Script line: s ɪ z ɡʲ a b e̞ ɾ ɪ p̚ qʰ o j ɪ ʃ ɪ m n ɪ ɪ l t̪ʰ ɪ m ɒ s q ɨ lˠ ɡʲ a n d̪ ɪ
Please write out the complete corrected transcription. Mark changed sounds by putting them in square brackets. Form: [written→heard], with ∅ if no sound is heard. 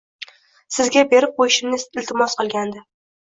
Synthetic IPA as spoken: s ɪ z ɡʲ a b e̞ ɾ ɪ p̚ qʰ o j ɪ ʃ ɪ m n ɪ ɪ l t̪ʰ ɪ m ɒ s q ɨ lˠ ɡʲ a n d̪ ɪ

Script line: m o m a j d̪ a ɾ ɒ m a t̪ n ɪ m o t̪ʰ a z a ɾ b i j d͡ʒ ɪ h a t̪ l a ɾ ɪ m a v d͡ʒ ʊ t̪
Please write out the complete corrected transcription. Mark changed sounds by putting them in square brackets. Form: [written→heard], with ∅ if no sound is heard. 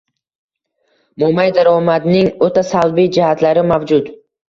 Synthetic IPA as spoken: m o m a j d̪ a ɾ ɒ m a [t̪→d̪] n ɪ [m→ŋ] o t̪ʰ a [z→s] a [ɾ→l] b i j d͡ʒ ɪ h a t̪ l a ɾ ɪ m a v d͡ʒ ʊ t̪

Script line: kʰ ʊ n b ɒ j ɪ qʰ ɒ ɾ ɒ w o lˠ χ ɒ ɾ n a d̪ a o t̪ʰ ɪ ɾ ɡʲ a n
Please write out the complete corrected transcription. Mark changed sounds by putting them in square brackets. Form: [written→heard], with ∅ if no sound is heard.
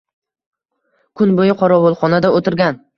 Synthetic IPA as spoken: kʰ ʊ n b [ɒ→o] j ɪ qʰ ɒ ɾ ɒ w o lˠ χ ɒ [ɾ→∅] n a d̪ a o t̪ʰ ɪ ɾ ɡʲ a n

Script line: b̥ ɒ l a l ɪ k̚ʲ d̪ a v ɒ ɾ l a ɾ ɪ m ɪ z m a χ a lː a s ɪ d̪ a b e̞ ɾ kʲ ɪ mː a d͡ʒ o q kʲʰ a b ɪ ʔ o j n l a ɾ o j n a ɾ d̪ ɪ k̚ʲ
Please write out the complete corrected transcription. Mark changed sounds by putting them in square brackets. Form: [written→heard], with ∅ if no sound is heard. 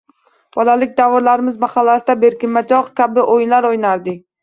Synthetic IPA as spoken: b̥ ɒ l a l ɪ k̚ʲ d̪ a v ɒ ɾ l a ɾ ɪ m ɪ z m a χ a lː a s ɪ d̪ a b e̞ ɾ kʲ ɪ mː a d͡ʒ [o→ɒ] q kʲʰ a b ɪ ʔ o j n l a ɾ o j n a ɾ d̪ ɪ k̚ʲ

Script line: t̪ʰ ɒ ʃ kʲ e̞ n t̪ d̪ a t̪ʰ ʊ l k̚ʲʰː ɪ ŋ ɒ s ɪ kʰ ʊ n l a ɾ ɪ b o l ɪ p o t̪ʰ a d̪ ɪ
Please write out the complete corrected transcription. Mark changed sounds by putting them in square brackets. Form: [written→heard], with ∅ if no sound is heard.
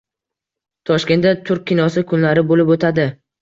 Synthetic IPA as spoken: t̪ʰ ɒ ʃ kʲ e̞ n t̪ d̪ a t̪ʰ ʊ [l→ɾ] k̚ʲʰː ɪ [ŋ→n] ɒ s ɪ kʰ ʊ n l a ɾ ɪ b o l ɪ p o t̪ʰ a d̪ ɪ

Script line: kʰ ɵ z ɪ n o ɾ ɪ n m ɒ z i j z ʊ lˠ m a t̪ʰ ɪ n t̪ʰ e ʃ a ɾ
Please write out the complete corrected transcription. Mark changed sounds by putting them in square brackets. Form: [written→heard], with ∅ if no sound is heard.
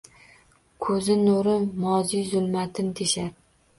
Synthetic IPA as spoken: kʰ ɵ z ɪ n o ɾ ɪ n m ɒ z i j z ʊ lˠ m a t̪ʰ ɪ n t̪ʰ e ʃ a ɾ

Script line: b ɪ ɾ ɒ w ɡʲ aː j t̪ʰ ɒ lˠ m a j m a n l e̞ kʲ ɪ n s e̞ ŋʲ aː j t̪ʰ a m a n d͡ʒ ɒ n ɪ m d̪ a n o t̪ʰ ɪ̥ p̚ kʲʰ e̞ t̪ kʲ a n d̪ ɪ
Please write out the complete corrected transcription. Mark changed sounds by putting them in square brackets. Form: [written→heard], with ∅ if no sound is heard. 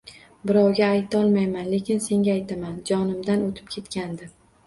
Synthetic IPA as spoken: b ɪ ɾ ɒ w ɡʲ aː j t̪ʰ ɒ lˠ m a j m a n l e̞ kʲ ɪ n s e̞ ŋʲ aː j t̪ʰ a m a n d͡ʒ ɒ n ɪ m d̪ a n o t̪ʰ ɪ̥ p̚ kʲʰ e̞ t̪ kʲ a n d̪ ɪ

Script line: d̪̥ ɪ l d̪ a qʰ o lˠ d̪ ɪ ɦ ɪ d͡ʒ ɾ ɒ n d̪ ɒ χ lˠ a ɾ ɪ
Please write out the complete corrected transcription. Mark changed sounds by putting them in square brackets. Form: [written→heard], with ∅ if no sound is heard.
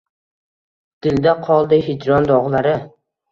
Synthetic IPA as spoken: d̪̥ ɪ l d̪ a qʰ [o→ɒ] lˠ d̪ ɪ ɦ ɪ d͡ʒ ɾ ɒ n d̪ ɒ [χ→ʁ] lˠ a ɾ ɪ

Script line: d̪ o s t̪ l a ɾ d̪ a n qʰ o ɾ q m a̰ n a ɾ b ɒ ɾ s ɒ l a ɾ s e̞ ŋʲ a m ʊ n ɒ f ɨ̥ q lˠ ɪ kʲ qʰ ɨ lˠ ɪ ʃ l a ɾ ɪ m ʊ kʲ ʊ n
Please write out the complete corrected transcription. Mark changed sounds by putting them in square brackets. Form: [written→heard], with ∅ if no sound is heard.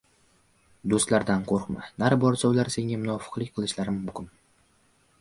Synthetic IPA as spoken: d̪ o s t̪ l a ɾ d̪ a n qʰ o ɾ q m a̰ n a ɾ b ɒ ɾ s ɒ l a ɾ s e̞ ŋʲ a m ʊ n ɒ f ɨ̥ q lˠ ɪ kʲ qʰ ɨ lˠ ɪ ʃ l a ɾ ɪ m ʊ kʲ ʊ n

